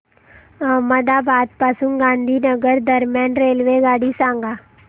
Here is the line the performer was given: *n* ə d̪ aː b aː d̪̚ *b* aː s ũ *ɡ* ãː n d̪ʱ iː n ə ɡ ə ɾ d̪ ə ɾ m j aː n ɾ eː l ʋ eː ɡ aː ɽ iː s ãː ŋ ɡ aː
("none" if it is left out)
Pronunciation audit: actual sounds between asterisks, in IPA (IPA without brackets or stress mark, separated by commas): m, p, ɡ